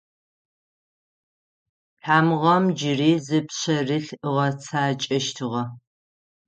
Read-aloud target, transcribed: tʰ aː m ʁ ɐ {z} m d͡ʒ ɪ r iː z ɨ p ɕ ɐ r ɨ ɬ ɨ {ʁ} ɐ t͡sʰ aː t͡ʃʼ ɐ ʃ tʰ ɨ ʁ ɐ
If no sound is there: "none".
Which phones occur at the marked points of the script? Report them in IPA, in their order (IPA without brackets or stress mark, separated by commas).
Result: none, ʁ